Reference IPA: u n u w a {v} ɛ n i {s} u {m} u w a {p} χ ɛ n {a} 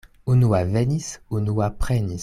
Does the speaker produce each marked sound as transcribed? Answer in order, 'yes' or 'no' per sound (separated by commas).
yes, yes, no, yes, no